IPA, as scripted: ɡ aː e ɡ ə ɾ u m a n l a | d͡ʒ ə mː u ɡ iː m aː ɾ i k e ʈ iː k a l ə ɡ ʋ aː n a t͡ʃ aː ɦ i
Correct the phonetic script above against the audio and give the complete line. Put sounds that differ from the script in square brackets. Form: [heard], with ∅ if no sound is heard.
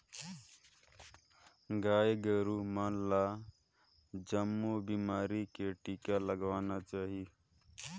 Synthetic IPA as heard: ɡ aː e ɡ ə ɾ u m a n l a | d͡ʒ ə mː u [b] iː m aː ɾ i k e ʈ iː k a l ə ɡ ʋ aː n a t͡ʃ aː ɦ i